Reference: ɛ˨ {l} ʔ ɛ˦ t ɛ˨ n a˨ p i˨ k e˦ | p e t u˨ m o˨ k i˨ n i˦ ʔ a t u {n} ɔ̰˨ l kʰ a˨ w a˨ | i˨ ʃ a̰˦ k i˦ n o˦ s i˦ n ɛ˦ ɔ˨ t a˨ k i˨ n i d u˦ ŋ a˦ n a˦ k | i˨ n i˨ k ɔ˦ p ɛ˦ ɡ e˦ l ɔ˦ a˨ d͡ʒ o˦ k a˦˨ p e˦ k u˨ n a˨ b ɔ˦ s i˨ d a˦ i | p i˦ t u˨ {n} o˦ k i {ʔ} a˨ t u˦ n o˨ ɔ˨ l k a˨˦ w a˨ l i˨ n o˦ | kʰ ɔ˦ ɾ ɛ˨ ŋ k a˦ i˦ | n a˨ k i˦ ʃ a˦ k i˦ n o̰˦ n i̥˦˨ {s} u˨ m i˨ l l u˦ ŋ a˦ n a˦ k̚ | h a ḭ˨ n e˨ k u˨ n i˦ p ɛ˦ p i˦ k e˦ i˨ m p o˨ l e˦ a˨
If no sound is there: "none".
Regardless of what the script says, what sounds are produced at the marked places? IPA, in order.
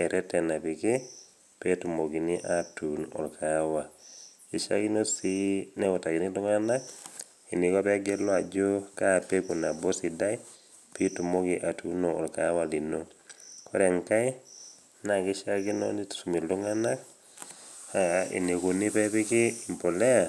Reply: ɾ, n, m, ʔ, s

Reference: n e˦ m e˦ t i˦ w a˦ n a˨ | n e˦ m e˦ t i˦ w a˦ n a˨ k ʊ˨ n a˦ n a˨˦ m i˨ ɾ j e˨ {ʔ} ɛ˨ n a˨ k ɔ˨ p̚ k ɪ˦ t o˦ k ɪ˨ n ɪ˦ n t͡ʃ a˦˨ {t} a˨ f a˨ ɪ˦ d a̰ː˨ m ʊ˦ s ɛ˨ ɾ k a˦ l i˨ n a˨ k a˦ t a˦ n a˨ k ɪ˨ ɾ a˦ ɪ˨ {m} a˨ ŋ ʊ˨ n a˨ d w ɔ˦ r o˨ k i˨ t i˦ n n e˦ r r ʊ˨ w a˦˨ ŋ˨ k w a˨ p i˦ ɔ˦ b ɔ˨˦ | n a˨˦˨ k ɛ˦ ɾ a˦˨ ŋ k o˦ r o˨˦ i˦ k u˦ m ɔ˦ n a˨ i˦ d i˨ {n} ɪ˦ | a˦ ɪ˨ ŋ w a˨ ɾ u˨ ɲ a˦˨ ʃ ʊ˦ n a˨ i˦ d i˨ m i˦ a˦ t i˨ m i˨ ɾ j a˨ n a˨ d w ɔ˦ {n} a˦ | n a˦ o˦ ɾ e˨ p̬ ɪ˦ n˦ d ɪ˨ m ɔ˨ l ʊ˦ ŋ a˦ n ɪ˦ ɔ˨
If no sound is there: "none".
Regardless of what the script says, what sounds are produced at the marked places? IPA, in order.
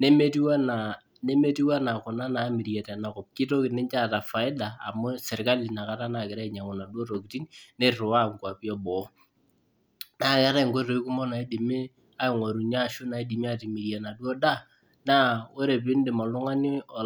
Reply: t, t, ɲ, m, d

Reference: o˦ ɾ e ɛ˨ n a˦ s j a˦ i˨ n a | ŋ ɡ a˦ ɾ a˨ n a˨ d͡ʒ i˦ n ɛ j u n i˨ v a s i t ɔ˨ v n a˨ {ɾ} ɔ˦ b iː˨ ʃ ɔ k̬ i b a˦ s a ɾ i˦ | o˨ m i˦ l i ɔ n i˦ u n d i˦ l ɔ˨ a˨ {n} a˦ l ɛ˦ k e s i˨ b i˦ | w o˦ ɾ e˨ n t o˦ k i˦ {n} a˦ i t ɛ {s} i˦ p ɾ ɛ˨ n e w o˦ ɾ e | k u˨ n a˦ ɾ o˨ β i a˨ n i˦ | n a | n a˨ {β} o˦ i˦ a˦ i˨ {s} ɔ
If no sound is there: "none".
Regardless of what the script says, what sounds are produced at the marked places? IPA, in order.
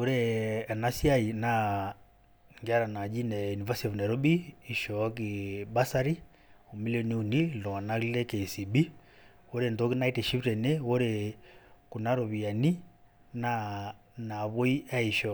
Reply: ɾ, n, n, ʃ, β, ʃ

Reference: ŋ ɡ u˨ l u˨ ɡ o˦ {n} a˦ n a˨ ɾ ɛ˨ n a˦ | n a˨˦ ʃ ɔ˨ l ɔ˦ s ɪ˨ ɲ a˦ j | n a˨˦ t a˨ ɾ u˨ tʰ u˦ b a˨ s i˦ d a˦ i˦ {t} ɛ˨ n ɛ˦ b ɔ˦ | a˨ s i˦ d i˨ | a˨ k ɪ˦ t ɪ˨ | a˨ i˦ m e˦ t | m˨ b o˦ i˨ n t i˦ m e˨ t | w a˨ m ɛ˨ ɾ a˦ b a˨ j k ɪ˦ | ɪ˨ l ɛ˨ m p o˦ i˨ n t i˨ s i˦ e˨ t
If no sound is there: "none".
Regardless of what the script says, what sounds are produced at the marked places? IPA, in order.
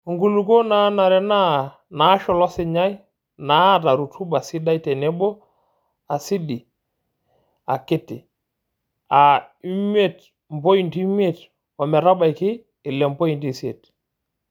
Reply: n, t

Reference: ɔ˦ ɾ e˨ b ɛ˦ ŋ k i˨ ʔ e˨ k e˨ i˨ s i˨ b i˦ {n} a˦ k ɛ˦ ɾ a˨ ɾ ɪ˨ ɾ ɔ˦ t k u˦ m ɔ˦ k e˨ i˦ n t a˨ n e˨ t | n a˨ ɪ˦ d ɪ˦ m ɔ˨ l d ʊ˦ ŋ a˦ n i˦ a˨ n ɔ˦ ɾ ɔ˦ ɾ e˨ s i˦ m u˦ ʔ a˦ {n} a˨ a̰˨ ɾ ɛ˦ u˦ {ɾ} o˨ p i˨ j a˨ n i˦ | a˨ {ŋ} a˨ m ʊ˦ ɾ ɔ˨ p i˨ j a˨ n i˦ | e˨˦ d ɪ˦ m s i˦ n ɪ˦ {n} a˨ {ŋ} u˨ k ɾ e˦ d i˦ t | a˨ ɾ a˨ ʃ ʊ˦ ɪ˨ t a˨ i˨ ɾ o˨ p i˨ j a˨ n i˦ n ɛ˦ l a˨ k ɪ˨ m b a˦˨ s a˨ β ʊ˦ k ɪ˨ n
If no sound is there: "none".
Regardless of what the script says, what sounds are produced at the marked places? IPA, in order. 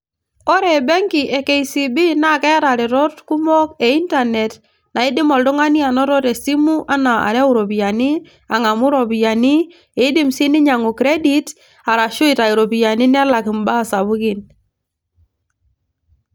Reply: n, n, ɾ, ŋ, ɲ, ŋ

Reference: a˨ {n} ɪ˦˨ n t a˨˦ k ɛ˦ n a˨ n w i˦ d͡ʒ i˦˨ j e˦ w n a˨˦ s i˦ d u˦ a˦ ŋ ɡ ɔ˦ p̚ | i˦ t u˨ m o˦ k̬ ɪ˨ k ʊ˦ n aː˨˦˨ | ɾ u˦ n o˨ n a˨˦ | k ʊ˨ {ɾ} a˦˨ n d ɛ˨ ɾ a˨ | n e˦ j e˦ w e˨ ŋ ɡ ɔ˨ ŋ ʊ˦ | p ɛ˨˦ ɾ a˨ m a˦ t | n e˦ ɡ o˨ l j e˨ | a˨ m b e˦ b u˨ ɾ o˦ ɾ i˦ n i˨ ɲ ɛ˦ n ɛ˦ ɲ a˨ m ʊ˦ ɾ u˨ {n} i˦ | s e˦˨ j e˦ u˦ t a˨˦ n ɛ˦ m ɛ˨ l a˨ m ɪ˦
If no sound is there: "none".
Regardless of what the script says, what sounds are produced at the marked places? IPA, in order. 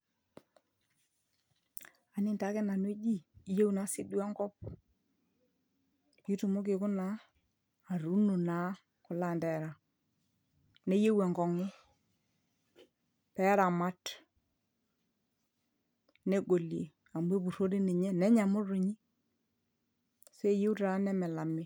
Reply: n, l, ɲ

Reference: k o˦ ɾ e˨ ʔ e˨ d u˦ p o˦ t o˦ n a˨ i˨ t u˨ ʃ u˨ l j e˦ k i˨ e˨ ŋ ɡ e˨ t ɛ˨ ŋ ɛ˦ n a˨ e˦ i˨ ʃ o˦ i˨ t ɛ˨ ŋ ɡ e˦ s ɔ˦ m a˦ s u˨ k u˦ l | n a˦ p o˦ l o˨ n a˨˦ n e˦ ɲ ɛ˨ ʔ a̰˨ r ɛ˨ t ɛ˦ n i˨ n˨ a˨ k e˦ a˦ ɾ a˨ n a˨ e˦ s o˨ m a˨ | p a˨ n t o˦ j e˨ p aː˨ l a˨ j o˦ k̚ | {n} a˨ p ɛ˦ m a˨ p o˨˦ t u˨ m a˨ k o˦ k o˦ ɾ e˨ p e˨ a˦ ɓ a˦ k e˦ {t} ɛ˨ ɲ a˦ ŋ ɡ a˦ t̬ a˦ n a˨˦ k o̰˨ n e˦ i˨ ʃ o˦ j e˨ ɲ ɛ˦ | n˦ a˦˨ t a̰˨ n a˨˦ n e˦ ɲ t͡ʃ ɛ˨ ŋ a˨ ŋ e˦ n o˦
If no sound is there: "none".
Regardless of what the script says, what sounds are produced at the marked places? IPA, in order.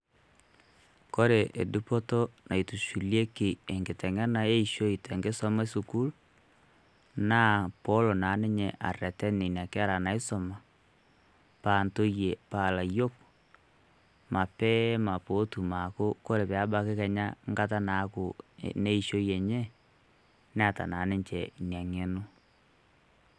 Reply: m, k

